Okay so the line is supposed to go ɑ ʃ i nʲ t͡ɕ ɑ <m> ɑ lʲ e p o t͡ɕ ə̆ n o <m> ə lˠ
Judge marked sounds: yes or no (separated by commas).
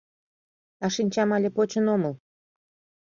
yes, yes